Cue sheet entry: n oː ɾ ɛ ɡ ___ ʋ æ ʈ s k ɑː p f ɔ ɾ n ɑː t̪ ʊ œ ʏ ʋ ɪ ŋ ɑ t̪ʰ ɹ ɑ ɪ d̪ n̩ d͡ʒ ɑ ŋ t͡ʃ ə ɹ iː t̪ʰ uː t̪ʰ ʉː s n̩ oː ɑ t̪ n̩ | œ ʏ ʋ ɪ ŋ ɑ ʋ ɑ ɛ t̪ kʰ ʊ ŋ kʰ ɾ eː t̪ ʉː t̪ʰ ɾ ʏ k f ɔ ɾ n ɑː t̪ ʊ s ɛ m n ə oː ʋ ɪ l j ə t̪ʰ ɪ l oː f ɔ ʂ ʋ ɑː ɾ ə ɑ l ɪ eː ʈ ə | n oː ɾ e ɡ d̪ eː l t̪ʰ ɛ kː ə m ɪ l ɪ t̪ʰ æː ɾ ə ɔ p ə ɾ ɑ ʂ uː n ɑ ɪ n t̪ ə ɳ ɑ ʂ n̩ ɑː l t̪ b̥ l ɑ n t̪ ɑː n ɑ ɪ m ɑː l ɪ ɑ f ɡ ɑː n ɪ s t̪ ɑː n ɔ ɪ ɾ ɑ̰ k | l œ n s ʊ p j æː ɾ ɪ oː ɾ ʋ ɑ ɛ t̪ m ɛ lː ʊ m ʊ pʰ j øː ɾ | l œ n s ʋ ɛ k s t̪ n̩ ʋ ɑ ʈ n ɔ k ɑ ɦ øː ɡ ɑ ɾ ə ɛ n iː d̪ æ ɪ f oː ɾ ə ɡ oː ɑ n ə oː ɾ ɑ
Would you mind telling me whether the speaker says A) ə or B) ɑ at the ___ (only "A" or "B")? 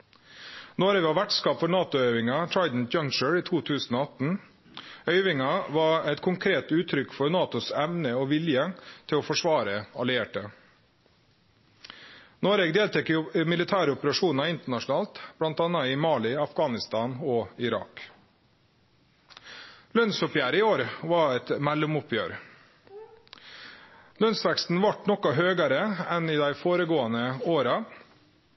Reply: B